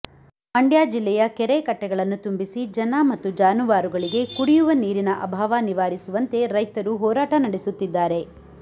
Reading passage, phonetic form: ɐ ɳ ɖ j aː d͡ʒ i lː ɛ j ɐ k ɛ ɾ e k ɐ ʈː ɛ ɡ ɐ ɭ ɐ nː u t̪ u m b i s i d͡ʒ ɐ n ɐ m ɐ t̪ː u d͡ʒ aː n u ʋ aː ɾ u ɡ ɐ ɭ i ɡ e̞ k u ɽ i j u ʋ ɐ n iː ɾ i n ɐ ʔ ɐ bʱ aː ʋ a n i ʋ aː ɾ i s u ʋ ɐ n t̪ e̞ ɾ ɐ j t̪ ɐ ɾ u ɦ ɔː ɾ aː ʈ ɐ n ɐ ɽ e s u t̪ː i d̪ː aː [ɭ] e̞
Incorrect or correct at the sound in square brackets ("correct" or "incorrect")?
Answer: incorrect